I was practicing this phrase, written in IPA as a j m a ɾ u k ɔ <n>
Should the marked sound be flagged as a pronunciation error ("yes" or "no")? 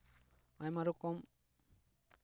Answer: yes